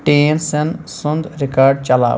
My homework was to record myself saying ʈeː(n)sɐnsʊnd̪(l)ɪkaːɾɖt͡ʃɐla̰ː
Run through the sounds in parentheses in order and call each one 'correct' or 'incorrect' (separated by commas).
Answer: correct, incorrect